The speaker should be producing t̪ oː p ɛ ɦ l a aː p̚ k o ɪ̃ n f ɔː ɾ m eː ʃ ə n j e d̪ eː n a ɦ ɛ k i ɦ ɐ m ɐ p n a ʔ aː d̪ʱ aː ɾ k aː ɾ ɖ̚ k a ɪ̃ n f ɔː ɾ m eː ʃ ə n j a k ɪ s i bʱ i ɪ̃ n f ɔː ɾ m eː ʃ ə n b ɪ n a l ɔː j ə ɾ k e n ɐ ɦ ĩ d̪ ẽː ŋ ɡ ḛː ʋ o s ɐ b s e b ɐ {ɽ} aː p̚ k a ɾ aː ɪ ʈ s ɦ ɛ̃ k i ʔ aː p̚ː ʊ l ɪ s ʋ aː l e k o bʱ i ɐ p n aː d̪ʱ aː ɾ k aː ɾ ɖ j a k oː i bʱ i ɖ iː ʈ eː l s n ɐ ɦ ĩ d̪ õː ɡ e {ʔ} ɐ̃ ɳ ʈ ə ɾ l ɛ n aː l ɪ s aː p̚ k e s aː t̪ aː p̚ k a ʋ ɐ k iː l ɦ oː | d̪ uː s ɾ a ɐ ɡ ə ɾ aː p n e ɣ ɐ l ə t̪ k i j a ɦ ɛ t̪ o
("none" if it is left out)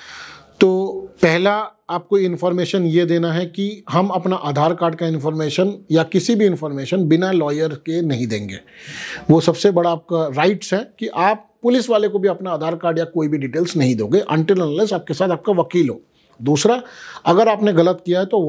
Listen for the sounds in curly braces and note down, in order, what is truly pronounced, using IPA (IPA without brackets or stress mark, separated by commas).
ɽ, ʔ